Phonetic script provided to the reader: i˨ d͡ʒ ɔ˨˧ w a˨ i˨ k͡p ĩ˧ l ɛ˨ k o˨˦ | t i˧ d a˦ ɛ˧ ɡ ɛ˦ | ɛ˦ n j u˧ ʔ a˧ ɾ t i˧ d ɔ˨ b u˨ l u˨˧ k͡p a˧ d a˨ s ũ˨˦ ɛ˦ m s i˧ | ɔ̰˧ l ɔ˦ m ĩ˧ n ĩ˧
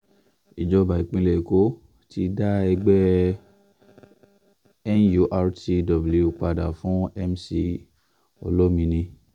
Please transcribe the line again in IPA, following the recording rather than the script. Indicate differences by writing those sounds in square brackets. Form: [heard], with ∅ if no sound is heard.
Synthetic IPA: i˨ d͡ʒ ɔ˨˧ [b] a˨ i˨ k͡p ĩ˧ l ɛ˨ k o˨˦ | t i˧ d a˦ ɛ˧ [ɡ͡b] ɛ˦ | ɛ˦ n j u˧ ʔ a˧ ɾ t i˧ d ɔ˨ b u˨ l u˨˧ k͡p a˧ d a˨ [f] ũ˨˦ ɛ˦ m s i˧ | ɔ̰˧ l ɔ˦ m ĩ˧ n ĩ˧